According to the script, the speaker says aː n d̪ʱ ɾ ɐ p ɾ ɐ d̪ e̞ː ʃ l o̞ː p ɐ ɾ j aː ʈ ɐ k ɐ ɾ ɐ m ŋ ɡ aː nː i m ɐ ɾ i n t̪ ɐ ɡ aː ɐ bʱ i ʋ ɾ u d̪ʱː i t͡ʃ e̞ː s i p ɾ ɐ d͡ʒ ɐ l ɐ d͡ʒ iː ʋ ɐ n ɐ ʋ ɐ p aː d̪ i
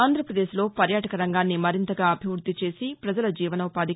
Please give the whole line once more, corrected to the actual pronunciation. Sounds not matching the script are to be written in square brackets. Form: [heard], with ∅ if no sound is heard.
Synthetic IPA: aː n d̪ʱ ɾ ɐ p ɾ ɐ d̪ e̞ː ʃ l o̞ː p ɐ ɾ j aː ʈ ɐ k ɐ ɾ ɐ [∅] ŋ ɡ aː nː i m ɐ ɾ i n t̪ ɐ ɡ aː ɐ bʱ i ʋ ɾ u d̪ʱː i t͡ʃ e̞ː s i p ɾ ɐ d͡ʒ ɐ l ɐ d͡ʒ iː ʋ ɐ n ɐ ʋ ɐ p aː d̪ i